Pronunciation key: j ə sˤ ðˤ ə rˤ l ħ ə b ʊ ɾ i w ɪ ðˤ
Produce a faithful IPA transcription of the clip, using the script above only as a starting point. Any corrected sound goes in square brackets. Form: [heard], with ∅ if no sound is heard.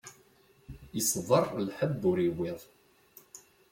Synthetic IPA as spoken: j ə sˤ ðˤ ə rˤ l ħ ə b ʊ ɾ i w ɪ ðˤ